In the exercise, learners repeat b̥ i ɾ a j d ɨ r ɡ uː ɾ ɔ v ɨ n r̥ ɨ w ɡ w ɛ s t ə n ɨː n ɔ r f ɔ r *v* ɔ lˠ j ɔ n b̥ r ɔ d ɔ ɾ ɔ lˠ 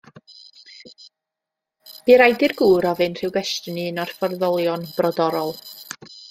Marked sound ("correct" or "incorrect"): incorrect